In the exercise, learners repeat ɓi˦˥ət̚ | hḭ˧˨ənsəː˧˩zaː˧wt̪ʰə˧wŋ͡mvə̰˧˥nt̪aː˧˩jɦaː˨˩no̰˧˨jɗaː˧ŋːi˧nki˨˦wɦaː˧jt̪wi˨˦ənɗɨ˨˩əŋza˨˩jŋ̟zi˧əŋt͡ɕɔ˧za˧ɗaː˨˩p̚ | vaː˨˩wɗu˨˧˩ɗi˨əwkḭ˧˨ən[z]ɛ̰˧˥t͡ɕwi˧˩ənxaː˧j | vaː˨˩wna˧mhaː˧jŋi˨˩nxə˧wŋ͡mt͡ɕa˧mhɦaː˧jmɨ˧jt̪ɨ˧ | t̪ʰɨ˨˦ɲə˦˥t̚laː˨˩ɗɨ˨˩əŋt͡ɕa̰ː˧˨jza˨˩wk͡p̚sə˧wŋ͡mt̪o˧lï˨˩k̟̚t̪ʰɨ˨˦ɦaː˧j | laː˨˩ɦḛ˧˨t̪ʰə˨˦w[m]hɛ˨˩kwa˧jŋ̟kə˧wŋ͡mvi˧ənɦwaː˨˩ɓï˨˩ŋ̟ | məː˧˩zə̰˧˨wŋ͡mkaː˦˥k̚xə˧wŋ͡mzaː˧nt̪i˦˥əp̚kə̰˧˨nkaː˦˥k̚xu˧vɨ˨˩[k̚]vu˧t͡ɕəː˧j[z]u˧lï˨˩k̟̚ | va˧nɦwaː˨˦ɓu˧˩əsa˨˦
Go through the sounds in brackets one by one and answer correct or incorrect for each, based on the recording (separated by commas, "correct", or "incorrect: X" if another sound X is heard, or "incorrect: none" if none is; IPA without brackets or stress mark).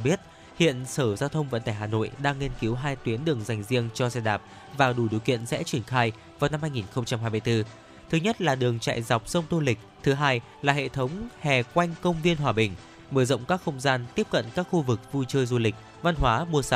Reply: incorrect: s, incorrect: ŋ͡m, correct, correct